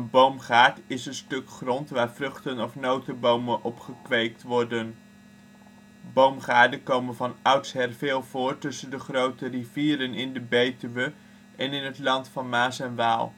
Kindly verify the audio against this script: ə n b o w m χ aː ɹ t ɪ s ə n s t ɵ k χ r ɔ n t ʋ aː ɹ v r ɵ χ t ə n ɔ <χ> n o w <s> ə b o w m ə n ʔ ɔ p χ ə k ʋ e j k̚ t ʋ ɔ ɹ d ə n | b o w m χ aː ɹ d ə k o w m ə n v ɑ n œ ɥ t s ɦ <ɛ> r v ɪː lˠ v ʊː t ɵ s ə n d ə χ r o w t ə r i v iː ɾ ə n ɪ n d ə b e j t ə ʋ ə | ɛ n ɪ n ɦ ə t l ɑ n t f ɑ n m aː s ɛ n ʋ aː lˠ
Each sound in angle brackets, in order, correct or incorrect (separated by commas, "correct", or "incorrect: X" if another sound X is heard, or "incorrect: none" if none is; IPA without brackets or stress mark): incorrect: f, incorrect: t, correct